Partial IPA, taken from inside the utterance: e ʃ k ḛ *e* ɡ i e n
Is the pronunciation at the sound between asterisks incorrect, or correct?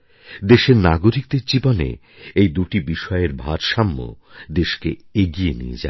correct